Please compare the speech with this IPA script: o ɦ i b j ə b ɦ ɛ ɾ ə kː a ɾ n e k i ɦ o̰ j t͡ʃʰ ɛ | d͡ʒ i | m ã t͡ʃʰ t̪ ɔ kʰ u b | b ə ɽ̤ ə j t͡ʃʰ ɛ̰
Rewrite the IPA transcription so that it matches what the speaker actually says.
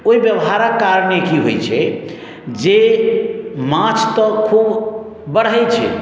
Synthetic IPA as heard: o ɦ i b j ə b ɦ a ɾ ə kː a ɾ n e k i ɦ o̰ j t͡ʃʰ ɛ | d͡ʒ e | m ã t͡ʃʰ t̪ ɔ kʰ u b | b ə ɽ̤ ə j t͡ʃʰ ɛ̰